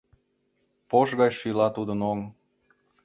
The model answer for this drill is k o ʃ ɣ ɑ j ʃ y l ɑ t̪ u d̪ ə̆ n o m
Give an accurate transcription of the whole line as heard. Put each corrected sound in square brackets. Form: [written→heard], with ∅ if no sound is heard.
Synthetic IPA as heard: [k→p] o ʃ ɣ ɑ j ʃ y l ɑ t̪ u d̪ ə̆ n o [m→ŋ]